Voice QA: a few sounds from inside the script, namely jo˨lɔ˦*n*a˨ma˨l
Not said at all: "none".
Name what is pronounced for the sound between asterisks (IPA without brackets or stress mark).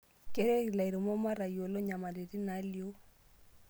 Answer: ɲ